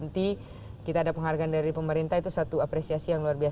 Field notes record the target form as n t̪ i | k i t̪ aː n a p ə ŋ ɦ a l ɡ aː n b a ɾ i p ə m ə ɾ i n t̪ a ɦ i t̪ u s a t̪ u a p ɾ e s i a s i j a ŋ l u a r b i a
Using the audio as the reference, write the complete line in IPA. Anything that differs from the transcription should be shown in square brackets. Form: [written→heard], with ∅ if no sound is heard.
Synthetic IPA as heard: n t̪ i | k i t̪ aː [n→d] a p ə ŋ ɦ a [l→r] ɡ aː n [b→d] a ɾ i p ə m ə ɾ i n t̪ a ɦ i t̪ u s a t̪ u a p ɾ e s i a s i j a ŋ l u a r b i a